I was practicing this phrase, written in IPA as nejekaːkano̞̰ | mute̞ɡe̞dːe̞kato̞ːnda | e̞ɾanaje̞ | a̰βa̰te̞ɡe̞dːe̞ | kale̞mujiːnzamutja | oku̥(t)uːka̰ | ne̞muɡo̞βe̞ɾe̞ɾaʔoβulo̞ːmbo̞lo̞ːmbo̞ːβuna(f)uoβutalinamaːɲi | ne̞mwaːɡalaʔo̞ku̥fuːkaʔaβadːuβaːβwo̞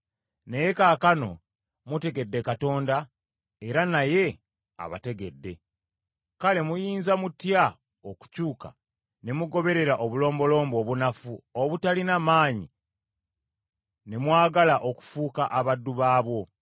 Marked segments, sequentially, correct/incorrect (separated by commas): incorrect, correct